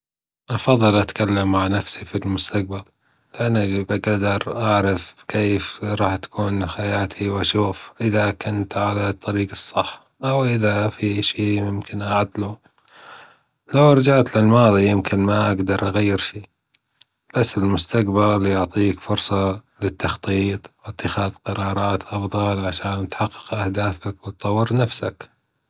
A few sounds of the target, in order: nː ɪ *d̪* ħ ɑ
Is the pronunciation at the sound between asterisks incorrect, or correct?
incorrect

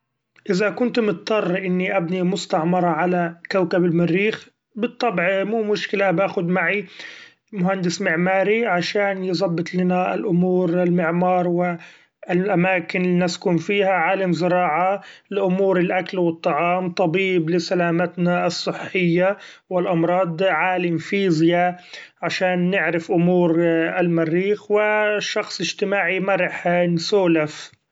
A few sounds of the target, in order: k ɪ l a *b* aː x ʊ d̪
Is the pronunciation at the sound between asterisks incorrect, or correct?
correct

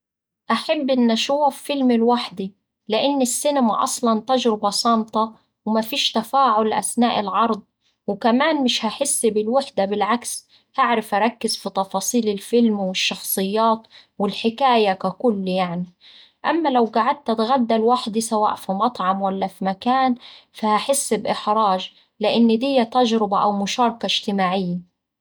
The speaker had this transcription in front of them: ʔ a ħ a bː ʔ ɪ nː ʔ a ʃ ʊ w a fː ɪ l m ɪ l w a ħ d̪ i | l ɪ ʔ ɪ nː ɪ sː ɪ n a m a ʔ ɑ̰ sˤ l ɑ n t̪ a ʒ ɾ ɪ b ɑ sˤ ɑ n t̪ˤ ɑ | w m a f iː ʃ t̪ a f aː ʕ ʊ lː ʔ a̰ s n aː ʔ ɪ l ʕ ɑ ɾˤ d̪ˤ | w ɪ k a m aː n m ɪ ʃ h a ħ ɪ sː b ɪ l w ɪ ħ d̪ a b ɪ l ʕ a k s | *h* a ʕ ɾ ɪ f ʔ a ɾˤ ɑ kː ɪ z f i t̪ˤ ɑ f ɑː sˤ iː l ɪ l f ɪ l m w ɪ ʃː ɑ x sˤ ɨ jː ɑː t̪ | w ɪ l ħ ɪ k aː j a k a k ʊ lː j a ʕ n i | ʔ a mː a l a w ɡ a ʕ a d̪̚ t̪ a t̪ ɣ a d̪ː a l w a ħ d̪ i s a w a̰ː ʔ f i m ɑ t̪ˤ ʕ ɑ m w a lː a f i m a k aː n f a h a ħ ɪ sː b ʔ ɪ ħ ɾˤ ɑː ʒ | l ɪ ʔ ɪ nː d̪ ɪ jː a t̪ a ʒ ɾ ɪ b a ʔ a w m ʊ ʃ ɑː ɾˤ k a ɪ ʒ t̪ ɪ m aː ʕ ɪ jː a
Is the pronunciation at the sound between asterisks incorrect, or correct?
correct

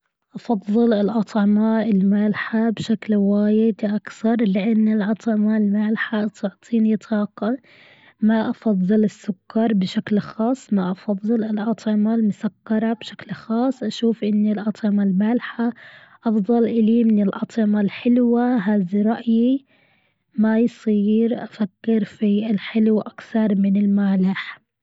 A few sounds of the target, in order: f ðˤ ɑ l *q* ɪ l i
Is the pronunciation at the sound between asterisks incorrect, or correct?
incorrect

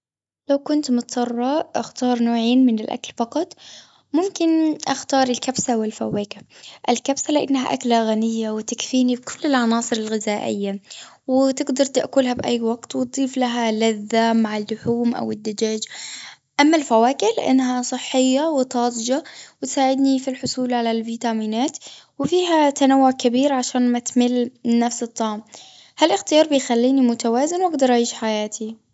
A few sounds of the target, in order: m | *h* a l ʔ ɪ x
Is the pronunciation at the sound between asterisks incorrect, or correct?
correct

